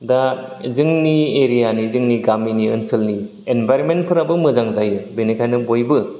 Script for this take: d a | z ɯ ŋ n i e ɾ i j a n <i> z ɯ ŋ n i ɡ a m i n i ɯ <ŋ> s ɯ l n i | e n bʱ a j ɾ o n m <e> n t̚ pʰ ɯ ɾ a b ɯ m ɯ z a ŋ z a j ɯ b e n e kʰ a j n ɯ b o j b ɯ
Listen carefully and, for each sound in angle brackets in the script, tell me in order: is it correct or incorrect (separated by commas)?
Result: correct, incorrect, correct